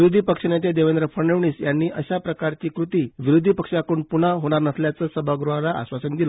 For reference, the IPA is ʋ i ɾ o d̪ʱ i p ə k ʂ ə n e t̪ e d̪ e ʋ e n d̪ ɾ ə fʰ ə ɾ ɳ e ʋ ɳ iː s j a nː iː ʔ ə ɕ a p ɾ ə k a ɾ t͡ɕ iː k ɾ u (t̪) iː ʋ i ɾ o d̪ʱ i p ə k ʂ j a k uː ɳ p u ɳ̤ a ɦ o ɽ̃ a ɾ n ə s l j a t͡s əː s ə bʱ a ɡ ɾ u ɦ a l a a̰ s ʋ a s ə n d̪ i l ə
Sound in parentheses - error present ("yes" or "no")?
no